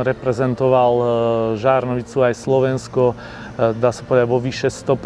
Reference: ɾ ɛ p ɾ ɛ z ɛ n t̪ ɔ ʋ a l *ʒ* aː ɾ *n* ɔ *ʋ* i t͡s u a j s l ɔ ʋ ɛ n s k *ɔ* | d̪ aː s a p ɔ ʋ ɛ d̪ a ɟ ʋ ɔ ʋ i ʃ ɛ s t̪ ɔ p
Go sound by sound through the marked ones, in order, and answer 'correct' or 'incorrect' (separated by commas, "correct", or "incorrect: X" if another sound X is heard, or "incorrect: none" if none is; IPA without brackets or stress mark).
correct, correct, correct, correct